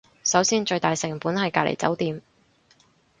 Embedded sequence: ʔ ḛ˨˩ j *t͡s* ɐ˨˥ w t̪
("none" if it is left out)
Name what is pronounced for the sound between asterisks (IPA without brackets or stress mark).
t͡s